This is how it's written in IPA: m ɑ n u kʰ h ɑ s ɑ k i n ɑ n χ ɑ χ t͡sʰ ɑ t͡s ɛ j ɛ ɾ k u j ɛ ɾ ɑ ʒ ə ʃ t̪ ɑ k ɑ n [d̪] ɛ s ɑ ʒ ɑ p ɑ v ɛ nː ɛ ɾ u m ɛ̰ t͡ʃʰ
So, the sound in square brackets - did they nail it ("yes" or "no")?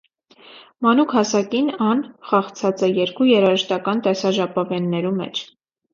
no